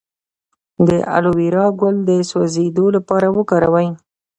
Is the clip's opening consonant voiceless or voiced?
voiced